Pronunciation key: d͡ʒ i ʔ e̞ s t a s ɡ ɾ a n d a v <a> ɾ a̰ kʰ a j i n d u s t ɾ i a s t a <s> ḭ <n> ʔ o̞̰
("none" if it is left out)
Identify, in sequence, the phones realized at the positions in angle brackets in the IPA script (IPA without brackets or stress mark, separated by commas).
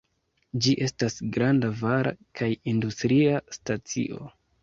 a, t͡s, none